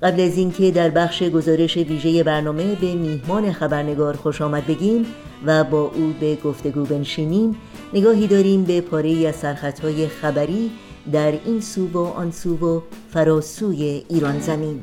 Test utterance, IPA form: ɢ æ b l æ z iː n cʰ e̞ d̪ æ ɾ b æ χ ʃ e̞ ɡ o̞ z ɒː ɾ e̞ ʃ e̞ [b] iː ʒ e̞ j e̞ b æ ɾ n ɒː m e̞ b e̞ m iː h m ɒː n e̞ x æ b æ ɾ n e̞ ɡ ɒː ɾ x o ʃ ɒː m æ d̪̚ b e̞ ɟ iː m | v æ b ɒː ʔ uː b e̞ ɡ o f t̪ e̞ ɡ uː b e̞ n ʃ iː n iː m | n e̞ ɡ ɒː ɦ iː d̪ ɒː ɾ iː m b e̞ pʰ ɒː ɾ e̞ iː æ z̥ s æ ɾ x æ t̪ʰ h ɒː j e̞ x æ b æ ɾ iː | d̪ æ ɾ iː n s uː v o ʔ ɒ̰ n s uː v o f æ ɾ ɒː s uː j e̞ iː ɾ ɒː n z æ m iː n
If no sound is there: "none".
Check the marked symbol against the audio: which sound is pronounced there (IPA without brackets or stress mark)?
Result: v